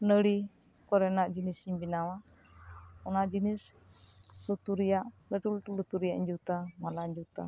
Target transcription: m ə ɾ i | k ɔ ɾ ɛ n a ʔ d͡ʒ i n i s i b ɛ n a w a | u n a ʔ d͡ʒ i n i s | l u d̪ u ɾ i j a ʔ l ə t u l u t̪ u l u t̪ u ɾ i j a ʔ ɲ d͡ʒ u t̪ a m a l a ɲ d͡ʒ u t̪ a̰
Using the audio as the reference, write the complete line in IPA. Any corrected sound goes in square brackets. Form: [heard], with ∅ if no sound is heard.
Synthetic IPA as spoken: [n] ə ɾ i | k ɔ ɾ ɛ n a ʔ d͡ʒ i n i s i b [i] n a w a | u n a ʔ d͡ʒ i n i s | l u [t̪] u ɾ i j a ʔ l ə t u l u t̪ u l u t̪ u ɾ i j a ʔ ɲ d͡ʒ u t̪ a m a l a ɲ d͡ʒ u t̪ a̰